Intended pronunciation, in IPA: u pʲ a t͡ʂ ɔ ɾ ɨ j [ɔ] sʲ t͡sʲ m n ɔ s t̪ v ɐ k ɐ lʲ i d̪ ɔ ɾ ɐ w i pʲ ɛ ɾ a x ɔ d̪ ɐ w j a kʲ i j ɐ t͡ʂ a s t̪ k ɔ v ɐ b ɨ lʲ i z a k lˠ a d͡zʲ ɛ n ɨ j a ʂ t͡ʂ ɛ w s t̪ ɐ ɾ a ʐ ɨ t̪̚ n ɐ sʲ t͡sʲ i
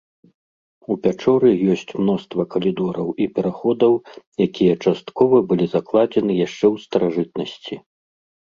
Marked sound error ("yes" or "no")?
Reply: no